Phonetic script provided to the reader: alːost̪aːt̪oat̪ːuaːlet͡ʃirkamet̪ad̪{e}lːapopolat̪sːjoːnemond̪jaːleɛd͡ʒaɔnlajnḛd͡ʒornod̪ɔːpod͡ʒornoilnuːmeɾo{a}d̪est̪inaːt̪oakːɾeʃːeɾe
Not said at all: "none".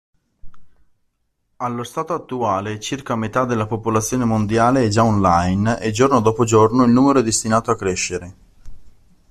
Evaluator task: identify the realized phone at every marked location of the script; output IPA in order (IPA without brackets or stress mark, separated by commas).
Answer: e, ɛ